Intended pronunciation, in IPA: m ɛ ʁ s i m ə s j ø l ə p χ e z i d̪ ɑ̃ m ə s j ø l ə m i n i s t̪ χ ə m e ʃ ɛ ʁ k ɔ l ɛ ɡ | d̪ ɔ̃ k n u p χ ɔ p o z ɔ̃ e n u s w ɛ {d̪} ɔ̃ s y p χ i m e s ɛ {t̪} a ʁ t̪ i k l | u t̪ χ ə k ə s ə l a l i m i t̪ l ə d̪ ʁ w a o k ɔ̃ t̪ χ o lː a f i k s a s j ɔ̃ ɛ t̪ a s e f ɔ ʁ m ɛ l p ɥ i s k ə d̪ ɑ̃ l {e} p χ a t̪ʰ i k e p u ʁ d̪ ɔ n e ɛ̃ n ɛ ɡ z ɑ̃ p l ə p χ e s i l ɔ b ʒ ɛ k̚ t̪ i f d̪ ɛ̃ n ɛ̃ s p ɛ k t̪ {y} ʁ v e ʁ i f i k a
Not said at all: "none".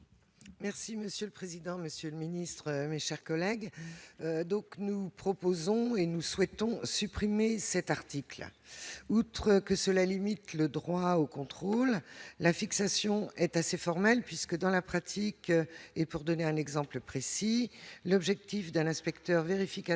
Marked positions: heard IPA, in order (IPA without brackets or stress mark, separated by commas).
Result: t̪, t̪, a, œ